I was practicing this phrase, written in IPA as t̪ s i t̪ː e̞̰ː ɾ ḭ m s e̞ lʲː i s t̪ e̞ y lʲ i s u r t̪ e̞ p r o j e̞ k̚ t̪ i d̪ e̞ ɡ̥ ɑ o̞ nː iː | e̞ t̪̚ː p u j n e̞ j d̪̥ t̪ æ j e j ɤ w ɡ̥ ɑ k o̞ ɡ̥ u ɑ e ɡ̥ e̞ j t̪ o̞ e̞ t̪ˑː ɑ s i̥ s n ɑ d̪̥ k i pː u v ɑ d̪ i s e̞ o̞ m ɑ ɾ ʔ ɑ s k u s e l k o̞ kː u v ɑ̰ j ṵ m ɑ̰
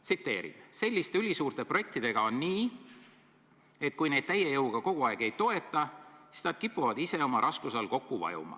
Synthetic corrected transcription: t̪ s i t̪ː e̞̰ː ɾ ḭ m s e̞ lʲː i s t̪ e̞ y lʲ i s uː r t̪ e̞ p r o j e̞ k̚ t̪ i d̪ e̞ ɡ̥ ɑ o̞ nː iː | e̞ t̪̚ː k u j n e̞ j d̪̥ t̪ æ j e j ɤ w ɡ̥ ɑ k o̞ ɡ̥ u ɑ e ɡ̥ e̞ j t̪ o̞ e̞ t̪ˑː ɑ s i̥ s n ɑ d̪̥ k i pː u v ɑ d̪ i s e̞ o̞ m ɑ ɾ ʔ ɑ s k u s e l k o̞ kː u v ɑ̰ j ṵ m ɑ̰